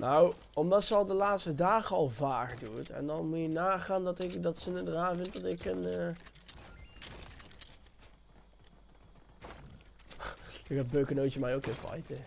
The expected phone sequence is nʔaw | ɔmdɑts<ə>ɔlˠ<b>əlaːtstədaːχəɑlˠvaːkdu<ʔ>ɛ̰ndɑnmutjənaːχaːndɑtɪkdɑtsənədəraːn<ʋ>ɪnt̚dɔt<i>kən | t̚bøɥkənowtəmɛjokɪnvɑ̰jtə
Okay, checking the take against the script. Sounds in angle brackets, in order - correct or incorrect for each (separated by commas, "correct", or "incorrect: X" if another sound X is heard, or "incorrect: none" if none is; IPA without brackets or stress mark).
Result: correct, incorrect: d, incorrect: t, incorrect: v, incorrect: ɪ